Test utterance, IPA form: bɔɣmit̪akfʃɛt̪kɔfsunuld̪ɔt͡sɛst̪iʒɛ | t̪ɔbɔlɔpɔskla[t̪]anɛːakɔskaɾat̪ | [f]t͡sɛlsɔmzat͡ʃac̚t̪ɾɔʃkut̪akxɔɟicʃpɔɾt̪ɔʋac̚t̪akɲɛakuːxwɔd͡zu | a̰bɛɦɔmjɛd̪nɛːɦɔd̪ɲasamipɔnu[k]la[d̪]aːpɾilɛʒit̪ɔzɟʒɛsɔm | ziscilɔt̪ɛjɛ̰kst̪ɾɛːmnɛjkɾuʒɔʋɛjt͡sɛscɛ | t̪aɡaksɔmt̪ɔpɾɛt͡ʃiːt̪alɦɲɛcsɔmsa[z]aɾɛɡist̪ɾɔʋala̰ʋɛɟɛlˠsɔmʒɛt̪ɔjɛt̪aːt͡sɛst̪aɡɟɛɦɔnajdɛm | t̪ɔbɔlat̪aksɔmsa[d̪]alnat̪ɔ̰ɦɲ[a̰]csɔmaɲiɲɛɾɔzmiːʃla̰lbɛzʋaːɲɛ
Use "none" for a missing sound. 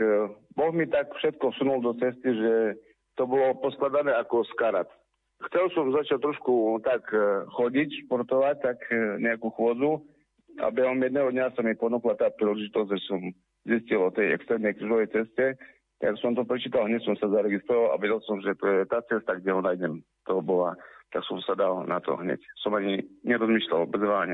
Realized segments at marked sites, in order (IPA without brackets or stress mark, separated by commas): d̪, x, k, t̪, z, d̪, ɛ̰